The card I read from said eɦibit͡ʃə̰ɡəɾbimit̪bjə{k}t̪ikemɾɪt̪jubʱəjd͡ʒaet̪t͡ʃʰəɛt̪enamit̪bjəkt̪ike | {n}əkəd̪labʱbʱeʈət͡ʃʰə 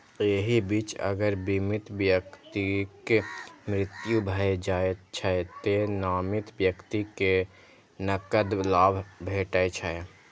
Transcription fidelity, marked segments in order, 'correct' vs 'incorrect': correct, correct

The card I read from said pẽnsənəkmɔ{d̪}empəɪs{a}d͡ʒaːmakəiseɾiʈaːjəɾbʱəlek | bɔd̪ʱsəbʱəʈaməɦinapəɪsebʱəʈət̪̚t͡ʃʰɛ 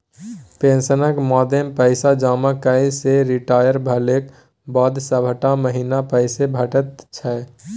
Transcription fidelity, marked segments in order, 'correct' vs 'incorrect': correct, correct

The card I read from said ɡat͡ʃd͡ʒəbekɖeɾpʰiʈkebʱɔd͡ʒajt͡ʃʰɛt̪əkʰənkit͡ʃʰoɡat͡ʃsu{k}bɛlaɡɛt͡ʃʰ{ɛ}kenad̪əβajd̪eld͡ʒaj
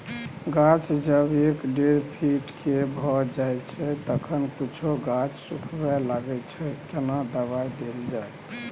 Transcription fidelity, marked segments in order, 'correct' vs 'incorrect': incorrect: kʰ, correct

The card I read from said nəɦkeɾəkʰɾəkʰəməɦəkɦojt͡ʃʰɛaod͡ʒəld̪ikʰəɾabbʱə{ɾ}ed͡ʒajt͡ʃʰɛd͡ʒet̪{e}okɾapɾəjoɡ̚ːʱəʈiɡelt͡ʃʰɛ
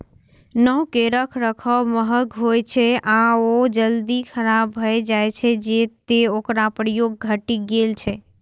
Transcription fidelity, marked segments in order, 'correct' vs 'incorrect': incorrect: none, correct

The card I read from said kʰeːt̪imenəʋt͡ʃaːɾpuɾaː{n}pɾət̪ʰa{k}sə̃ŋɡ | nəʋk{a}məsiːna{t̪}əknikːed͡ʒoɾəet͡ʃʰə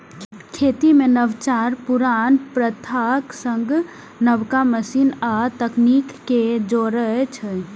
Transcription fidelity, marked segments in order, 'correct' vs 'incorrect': correct, correct, correct, correct

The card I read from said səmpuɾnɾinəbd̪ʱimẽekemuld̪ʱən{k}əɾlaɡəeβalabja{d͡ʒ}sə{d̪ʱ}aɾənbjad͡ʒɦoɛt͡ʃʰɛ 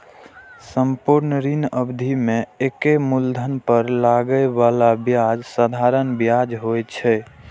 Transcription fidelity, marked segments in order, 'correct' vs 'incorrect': incorrect: p, correct, correct

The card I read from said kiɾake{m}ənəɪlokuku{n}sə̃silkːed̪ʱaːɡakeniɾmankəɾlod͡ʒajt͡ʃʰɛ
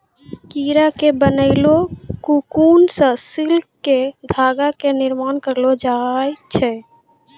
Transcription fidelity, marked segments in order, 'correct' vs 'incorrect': incorrect: b, correct

